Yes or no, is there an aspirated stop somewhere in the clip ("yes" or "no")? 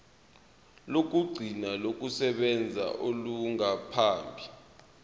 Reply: yes